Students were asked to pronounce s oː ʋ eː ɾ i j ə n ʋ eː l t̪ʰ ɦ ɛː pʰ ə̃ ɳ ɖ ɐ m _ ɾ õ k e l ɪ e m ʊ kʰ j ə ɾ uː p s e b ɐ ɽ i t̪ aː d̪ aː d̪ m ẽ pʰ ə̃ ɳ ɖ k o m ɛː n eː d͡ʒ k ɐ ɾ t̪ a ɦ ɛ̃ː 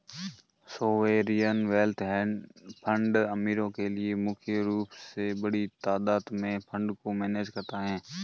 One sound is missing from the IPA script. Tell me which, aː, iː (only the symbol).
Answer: iː